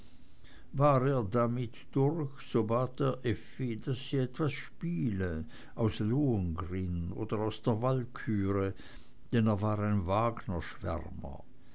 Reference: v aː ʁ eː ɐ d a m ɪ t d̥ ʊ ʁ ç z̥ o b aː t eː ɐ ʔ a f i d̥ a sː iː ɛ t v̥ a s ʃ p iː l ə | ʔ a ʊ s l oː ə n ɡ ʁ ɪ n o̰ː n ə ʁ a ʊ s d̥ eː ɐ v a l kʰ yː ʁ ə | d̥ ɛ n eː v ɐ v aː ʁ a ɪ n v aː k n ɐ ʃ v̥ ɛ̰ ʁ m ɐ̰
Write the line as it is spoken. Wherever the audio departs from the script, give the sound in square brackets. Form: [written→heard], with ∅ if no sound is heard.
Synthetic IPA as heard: v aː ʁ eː ɐ d a m ɪ t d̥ ʊ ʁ ç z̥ o b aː t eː ɐ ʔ [a→ɛ] f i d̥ a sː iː ɛ t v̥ a s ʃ p iː l ə | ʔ a ʊ s l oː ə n ɡ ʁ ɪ n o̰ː [n→d] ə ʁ a ʊ s d̥ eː ɐ v a l kʰ yː ʁ ə | d̥ ɛ n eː [v→∅] ɐ v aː ʁ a ɪ n v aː [k→ɡ] n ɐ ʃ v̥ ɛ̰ ʁ m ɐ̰